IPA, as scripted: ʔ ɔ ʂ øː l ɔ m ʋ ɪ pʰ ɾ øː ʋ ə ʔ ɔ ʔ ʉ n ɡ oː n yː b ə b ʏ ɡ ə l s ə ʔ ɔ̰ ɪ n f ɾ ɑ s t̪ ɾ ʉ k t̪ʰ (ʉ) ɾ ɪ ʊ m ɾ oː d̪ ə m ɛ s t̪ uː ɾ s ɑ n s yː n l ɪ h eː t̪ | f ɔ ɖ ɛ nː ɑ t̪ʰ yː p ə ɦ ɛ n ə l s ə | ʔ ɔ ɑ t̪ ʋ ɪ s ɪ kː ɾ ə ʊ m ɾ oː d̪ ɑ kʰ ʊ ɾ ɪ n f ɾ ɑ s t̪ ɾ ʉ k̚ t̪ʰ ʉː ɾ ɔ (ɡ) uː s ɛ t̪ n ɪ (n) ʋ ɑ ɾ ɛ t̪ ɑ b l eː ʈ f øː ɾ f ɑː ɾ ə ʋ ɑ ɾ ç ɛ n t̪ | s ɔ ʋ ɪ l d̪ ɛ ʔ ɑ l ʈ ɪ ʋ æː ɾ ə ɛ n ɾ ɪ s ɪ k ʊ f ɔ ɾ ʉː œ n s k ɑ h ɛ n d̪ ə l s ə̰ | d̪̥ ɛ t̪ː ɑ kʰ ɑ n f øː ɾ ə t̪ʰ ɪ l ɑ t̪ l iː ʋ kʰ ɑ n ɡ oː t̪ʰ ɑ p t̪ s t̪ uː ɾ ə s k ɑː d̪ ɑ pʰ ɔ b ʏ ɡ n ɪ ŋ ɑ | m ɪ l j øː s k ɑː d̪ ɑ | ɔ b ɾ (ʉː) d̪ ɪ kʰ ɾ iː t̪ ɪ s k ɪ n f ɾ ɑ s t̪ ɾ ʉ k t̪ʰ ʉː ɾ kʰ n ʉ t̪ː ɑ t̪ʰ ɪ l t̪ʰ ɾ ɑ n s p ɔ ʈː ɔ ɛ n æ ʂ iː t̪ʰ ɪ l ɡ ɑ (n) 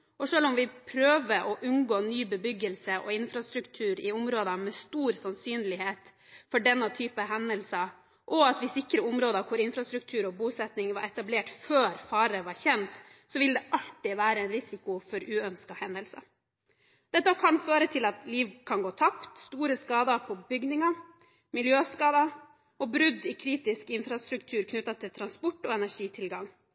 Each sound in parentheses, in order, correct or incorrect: incorrect, incorrect, incorrect, incorrect, incorrect

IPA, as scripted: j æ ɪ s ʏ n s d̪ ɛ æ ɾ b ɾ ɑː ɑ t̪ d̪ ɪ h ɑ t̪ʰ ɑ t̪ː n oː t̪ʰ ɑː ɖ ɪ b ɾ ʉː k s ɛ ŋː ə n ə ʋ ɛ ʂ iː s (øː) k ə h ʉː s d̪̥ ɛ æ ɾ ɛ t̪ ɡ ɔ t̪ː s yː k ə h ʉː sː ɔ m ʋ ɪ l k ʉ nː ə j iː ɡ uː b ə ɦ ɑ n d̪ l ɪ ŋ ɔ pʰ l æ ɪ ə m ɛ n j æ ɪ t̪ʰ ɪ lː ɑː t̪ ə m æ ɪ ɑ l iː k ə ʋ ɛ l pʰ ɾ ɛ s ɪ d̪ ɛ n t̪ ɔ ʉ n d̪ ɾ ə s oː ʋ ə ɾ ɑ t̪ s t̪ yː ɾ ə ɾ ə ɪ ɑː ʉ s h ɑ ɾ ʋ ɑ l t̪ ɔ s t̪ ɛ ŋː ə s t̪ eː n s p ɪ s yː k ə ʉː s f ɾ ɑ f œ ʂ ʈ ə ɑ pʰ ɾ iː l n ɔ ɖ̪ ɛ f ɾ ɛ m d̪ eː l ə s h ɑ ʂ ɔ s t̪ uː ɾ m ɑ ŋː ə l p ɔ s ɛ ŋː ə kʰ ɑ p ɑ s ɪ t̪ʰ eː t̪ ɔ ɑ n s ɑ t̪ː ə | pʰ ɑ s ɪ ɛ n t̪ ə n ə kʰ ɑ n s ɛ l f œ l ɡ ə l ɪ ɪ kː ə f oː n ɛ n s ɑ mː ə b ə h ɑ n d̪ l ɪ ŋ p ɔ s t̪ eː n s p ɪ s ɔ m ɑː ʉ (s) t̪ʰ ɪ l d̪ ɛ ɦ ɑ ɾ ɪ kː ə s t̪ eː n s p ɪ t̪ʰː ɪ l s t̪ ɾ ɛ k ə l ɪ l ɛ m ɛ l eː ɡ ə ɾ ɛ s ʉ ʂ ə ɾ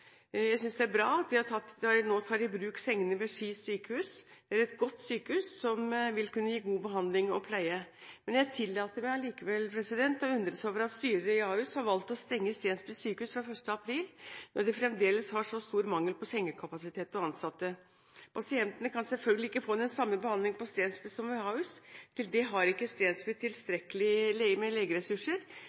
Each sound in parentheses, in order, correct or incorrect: incorrect, correct

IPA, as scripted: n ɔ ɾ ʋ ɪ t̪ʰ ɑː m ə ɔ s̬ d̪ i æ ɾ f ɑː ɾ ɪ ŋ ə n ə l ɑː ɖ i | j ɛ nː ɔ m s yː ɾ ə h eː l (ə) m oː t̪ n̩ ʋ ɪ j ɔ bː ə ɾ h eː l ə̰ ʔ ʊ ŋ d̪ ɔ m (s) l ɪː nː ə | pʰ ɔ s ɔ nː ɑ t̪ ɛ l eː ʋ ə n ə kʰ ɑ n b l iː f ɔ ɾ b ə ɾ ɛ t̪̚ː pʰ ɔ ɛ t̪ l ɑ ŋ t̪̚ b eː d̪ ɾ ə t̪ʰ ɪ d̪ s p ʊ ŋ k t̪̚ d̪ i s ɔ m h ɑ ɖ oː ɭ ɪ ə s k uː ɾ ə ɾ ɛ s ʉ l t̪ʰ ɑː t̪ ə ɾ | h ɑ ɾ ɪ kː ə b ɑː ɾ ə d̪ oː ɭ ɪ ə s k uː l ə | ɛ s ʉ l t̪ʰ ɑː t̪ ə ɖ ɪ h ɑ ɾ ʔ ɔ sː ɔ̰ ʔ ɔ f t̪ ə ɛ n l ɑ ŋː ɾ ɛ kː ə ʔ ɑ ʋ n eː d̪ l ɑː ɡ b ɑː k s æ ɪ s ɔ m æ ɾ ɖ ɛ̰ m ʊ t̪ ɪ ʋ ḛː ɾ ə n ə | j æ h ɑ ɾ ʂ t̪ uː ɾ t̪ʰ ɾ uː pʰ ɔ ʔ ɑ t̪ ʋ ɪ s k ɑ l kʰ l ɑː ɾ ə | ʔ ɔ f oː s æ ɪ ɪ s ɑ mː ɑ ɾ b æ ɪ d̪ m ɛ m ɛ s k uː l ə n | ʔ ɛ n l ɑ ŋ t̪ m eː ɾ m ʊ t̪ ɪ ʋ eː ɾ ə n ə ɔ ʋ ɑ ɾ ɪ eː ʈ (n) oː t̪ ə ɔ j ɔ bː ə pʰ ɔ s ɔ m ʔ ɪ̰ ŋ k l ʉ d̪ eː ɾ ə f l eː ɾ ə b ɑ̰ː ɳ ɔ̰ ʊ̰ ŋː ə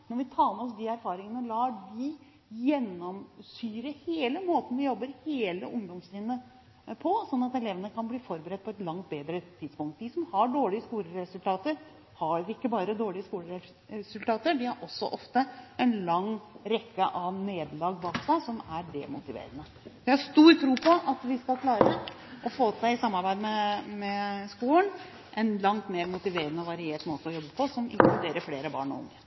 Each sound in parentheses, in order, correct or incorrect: correct, correct, incorrect

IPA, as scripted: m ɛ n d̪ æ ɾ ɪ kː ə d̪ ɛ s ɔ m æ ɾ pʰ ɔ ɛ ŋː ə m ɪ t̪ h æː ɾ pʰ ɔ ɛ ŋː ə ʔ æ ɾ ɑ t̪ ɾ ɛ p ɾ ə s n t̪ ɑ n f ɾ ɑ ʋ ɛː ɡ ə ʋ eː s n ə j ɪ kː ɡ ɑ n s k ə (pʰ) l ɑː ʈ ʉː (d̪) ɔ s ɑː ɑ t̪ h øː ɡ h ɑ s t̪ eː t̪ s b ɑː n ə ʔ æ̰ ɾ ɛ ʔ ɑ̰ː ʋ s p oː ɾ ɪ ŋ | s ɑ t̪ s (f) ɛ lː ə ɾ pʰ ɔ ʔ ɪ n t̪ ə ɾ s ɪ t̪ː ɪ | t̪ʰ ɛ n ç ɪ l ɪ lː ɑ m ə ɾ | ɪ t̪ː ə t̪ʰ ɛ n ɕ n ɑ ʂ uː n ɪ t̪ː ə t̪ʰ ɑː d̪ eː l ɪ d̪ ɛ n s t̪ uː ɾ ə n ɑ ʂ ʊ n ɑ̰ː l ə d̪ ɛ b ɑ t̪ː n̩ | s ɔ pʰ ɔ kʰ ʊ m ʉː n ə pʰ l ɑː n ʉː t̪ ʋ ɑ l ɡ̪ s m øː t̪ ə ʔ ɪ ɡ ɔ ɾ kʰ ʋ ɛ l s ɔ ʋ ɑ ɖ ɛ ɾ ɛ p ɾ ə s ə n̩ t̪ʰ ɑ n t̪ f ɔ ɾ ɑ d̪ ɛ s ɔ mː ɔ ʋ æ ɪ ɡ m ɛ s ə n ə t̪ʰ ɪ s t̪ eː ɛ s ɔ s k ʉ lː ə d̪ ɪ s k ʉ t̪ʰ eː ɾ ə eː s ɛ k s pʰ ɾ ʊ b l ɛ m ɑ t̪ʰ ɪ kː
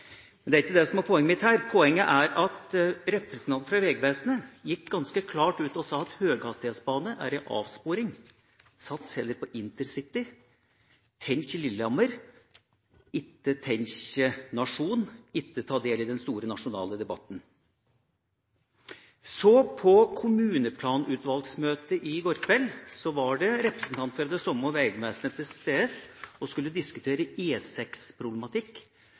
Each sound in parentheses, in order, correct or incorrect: incorrect, incorrect, incorrect

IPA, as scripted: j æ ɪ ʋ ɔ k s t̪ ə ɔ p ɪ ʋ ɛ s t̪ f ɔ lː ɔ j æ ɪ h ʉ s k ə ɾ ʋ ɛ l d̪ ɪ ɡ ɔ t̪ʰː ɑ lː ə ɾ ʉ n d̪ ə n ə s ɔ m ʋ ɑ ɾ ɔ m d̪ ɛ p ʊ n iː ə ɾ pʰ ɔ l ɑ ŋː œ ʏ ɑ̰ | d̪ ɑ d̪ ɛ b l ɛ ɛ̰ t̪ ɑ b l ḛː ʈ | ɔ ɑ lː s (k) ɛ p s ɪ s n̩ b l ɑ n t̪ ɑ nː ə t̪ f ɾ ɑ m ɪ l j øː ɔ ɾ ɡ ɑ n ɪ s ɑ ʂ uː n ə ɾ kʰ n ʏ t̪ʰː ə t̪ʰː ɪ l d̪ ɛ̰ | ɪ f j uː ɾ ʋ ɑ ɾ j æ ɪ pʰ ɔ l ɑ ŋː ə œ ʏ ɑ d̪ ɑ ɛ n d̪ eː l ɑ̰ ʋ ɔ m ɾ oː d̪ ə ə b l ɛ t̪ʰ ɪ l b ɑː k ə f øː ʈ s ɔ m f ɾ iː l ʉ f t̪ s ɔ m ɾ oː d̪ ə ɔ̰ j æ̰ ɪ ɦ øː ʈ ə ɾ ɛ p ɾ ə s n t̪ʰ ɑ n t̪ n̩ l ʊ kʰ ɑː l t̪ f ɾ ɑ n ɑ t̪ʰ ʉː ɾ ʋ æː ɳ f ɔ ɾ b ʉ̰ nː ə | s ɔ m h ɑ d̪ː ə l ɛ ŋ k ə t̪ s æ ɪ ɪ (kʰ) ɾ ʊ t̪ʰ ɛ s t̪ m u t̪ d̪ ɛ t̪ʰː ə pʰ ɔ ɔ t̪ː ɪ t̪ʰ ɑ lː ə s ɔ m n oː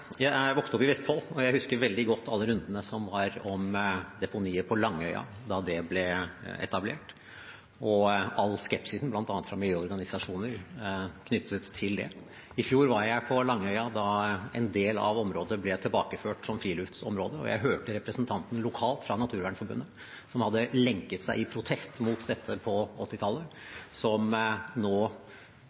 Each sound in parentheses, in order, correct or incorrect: correct, incorrect

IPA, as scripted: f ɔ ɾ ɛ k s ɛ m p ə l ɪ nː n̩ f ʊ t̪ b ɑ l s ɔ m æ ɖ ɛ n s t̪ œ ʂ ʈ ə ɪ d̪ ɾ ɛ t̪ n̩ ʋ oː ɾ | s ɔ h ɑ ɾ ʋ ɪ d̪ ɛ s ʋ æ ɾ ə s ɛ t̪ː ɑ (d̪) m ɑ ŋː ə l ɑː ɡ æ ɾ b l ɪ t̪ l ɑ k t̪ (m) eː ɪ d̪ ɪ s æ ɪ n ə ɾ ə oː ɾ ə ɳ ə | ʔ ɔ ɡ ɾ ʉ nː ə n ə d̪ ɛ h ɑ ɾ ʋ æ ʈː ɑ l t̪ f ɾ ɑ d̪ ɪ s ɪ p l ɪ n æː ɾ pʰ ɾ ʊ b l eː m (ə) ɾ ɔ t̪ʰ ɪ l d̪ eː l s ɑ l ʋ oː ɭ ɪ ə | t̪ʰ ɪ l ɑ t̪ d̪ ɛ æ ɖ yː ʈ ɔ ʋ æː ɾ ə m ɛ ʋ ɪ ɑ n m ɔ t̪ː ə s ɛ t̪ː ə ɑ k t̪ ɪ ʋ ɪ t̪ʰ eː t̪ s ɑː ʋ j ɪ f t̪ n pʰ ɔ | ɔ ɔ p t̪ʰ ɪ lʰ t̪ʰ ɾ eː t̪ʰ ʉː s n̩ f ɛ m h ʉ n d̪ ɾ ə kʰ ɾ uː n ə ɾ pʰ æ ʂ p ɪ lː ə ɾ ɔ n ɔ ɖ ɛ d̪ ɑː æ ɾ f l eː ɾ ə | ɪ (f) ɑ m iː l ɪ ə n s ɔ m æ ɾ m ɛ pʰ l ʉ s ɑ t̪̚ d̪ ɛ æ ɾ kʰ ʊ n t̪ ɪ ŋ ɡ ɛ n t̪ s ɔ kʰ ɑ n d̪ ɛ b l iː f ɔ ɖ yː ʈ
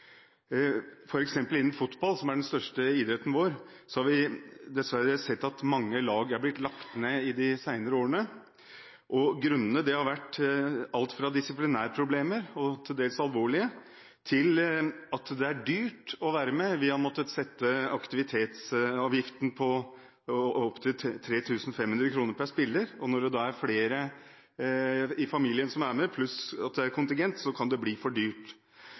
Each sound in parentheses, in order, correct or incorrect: incorrect, incorrect, correct, correct

